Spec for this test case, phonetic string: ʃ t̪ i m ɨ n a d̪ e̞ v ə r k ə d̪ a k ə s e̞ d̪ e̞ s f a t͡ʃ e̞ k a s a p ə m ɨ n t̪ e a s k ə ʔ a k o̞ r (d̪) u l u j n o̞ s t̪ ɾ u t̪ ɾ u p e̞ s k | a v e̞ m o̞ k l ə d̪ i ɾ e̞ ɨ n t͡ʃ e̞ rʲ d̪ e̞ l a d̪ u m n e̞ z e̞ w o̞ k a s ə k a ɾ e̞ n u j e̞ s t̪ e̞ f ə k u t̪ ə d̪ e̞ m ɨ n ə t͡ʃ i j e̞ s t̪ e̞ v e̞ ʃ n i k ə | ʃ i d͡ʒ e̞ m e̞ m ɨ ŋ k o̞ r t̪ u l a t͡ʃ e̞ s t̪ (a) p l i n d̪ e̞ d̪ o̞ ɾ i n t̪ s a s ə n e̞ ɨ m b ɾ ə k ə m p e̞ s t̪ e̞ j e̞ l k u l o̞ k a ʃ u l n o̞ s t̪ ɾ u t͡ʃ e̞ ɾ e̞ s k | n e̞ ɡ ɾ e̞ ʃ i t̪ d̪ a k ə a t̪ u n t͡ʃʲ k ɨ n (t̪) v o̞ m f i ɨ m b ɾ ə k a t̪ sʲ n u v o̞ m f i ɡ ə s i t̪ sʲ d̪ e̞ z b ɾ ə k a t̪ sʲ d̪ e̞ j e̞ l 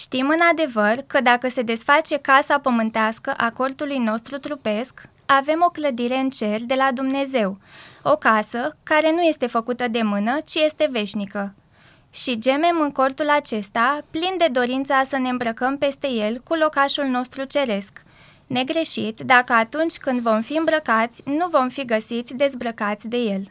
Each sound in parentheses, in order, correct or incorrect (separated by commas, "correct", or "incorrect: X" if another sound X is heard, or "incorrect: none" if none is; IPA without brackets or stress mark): incorrect: t̪, correct, incorrect: d̪